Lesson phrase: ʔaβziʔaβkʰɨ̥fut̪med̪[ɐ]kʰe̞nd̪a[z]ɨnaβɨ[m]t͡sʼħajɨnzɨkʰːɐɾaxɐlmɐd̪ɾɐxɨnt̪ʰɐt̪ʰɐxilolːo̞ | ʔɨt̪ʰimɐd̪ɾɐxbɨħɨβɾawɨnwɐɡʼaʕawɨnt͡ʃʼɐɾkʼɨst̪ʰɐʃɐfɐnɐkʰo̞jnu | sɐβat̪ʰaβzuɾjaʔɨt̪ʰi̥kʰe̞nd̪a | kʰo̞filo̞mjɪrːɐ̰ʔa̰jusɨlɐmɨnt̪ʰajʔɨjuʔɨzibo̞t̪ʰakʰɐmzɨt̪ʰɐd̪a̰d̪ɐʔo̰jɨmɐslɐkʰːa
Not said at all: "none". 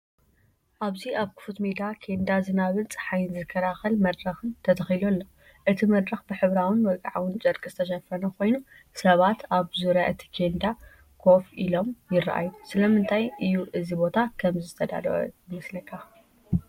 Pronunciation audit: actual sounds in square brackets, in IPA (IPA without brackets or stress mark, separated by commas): a, z, n